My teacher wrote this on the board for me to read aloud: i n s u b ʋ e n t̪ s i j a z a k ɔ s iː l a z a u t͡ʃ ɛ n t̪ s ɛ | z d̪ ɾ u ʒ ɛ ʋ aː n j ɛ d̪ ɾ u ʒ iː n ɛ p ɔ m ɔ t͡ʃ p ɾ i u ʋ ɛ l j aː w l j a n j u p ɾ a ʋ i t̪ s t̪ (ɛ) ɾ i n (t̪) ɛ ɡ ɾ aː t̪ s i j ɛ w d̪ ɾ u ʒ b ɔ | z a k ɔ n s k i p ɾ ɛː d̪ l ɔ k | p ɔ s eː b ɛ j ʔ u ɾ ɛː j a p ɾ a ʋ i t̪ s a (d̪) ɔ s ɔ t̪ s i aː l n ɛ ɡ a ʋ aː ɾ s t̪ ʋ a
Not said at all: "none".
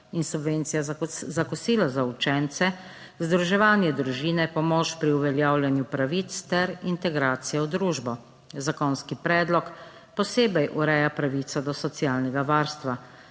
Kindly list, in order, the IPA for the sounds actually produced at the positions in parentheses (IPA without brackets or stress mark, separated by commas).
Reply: ɛ, t̪, d̪